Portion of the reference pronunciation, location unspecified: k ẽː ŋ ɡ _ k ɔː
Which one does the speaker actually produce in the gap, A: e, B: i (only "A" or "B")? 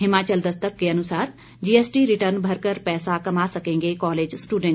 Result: A